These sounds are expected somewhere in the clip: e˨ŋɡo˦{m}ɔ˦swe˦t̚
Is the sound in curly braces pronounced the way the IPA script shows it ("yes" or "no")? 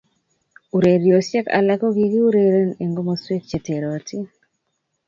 yes